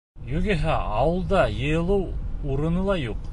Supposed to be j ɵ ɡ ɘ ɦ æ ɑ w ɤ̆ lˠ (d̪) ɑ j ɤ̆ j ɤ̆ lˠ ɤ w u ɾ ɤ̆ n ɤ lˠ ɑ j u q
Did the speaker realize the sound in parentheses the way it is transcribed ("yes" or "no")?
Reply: yes